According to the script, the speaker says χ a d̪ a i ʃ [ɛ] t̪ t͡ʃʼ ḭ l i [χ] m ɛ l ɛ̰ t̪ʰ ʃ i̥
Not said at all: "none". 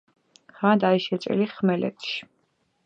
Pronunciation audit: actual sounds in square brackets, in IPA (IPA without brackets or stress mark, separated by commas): ɛ, χ